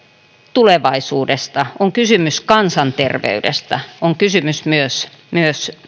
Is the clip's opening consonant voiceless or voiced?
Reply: voiceless